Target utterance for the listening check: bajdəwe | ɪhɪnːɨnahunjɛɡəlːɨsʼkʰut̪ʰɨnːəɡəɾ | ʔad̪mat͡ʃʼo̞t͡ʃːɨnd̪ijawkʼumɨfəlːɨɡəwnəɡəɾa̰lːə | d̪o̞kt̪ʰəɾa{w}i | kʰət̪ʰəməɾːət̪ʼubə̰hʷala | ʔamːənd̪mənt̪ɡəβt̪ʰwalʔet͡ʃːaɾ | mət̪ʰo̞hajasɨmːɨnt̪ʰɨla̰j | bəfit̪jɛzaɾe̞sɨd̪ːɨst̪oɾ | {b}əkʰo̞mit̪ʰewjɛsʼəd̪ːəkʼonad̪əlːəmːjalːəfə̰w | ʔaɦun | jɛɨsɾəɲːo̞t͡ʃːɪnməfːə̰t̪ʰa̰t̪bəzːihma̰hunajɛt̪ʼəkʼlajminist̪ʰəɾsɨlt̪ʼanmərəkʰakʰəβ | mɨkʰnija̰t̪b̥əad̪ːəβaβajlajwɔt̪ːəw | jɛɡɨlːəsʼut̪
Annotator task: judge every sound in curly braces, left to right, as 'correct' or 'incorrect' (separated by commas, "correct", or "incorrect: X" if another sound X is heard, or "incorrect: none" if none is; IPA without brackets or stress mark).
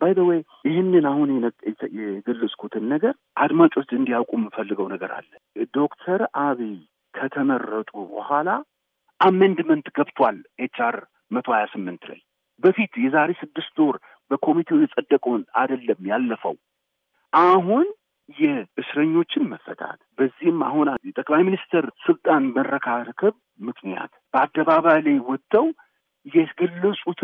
incorrect: β, correct